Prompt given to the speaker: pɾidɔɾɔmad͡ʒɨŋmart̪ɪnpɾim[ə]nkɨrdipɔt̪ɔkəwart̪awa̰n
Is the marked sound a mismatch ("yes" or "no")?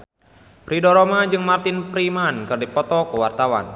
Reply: yes